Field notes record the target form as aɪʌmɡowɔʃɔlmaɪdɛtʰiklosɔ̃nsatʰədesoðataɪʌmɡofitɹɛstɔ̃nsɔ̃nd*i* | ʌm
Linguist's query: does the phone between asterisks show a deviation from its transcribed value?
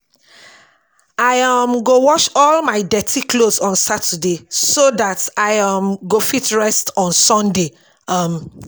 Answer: yes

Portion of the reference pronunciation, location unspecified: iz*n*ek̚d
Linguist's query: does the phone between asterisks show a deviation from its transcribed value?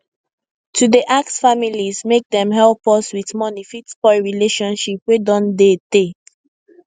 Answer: yes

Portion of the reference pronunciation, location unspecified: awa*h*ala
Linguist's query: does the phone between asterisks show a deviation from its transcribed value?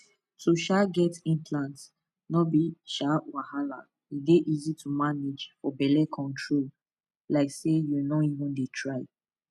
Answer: no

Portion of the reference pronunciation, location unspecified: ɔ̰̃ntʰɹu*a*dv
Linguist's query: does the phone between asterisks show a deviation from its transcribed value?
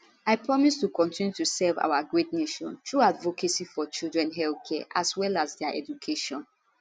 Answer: no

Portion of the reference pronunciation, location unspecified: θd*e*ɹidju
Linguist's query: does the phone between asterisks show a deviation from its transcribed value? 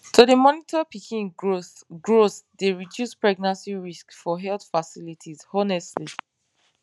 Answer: no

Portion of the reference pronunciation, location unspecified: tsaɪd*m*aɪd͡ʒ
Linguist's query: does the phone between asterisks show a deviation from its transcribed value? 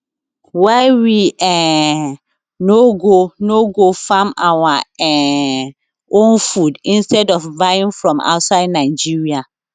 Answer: yes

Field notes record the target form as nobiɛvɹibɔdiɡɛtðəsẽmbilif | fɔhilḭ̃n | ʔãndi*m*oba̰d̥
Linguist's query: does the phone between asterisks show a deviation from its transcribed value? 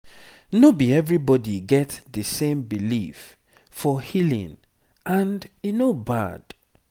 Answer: yes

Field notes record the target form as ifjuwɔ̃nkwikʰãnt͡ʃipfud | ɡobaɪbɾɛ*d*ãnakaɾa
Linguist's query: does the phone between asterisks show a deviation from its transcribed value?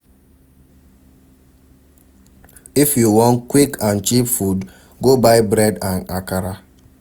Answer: no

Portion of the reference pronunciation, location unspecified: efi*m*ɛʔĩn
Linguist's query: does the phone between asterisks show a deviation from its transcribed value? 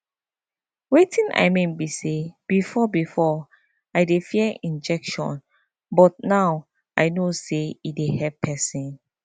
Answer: yes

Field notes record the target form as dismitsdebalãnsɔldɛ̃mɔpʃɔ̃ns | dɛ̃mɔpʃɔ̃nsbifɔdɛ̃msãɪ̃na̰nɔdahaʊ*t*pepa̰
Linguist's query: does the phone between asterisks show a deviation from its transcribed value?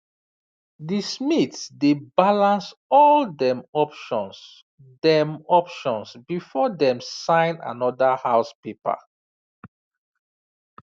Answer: yes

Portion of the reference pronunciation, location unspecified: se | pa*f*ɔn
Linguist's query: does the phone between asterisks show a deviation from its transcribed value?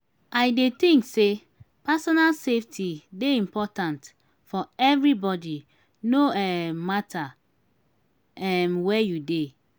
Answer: yes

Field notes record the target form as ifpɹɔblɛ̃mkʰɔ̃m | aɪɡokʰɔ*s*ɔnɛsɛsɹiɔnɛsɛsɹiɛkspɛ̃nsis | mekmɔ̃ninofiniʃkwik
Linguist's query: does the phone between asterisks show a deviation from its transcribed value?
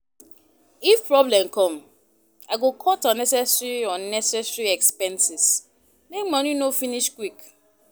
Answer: yes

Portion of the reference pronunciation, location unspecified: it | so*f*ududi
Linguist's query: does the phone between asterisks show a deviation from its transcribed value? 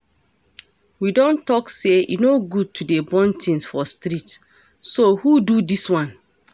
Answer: yes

